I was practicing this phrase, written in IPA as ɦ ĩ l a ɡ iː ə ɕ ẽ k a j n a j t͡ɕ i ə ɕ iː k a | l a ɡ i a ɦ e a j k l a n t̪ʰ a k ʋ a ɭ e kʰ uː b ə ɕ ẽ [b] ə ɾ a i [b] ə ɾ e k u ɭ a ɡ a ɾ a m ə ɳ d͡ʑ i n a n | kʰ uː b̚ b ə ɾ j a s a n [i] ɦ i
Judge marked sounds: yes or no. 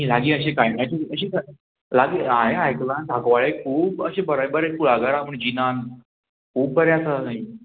yes, yes, no

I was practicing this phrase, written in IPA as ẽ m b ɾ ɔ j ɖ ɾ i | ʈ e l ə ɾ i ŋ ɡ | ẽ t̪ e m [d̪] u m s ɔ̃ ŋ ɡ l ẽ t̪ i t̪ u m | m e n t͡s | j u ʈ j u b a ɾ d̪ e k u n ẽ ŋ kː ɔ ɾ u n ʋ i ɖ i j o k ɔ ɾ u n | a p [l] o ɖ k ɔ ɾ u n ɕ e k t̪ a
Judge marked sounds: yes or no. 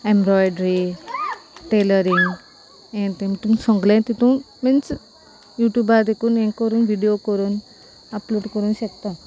no, yes

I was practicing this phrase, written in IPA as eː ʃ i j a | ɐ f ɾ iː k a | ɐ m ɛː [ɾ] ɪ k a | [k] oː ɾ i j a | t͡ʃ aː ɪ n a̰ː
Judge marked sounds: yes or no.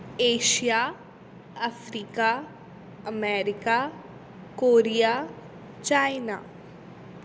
yes, yes

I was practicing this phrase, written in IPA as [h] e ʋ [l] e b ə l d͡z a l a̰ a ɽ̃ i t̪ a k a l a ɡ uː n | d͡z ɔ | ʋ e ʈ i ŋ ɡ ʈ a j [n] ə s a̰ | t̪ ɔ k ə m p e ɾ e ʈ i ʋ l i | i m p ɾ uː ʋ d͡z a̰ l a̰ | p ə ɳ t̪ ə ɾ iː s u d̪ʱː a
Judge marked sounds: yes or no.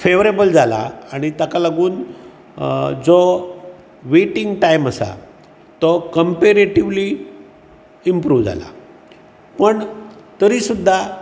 no, no, no

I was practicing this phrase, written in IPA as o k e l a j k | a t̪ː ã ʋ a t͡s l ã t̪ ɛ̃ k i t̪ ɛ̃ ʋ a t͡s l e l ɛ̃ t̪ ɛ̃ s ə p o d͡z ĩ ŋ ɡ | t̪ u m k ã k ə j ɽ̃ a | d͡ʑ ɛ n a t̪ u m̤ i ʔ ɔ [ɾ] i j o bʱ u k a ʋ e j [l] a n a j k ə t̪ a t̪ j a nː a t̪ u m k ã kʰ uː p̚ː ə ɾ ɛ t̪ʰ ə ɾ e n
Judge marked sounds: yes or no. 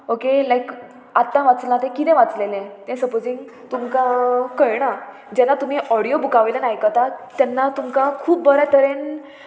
no, yes

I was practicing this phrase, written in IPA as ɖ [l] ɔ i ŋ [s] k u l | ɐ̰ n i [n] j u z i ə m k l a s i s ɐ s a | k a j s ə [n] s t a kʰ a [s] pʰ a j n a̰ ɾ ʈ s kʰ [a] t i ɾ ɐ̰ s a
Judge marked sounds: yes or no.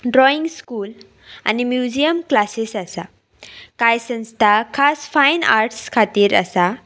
no, yes, no, yes, yes, yes

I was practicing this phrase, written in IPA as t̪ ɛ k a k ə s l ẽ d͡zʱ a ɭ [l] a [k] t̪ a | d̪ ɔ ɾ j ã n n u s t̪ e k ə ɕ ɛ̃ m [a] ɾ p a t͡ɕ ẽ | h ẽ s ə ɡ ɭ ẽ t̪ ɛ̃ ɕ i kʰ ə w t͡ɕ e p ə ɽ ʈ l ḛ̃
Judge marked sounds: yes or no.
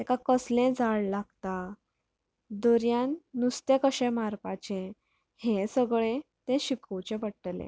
yes, no, yes

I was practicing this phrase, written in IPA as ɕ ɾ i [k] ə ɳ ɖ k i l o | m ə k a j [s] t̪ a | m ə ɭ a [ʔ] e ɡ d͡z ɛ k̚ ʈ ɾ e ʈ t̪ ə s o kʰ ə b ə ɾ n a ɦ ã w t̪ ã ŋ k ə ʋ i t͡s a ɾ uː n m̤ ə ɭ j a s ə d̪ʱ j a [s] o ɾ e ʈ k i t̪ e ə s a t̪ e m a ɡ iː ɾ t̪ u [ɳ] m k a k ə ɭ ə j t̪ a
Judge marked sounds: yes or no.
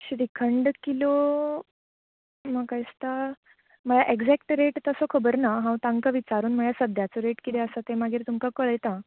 no, yes, yes, no, no

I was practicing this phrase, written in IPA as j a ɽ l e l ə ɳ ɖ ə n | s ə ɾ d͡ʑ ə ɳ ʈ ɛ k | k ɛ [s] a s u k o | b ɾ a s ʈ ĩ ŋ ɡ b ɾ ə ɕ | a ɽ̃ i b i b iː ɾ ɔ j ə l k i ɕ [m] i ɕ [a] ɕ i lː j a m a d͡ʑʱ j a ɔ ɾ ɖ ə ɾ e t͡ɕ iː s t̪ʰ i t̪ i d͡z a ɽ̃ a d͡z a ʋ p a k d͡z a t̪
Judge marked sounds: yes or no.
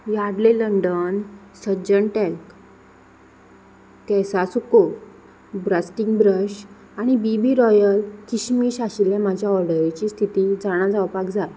yes, yes, yes

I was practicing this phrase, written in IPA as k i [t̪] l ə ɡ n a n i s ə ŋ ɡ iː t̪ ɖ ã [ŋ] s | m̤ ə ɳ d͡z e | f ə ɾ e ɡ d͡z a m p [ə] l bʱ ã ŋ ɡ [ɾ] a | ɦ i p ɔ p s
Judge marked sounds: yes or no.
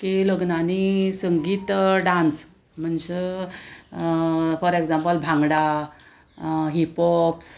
no, no, yes, no

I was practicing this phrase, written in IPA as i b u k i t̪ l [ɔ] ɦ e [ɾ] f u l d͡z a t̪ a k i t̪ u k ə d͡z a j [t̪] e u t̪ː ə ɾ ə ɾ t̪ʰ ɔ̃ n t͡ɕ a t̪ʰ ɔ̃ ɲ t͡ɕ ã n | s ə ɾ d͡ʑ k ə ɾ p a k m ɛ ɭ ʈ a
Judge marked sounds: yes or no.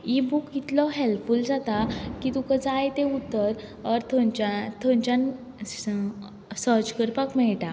yes, no, yes

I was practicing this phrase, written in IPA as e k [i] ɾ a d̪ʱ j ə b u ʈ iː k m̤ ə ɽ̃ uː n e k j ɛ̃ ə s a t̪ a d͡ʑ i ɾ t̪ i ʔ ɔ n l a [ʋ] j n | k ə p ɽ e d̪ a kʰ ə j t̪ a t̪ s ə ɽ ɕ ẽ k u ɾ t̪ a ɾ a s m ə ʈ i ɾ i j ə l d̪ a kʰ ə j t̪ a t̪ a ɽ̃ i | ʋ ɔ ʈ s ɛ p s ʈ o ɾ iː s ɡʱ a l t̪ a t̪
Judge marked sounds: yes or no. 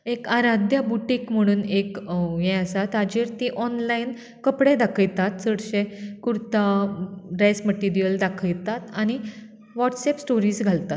no, no

